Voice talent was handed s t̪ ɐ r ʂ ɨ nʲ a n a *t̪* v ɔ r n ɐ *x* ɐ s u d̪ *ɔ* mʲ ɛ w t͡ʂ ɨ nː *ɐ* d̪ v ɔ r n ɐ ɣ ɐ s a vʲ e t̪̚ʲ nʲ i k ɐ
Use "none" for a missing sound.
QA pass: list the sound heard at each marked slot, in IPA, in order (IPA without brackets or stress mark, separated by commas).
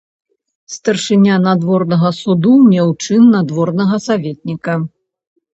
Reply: d̪, ɣ, u, a